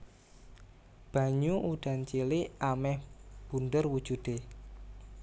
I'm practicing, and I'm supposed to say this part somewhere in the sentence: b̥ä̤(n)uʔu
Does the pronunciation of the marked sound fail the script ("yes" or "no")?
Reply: yes